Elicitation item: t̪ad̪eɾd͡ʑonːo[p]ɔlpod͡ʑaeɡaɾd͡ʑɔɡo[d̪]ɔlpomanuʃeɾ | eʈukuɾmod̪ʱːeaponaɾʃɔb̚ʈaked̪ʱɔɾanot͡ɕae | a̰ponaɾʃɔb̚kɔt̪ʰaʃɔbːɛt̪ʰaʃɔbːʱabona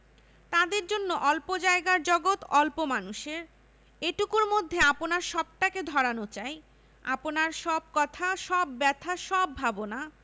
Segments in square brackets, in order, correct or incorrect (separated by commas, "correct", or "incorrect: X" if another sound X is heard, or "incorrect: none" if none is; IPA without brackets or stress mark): incorrect: ʔ, incorrect: t̪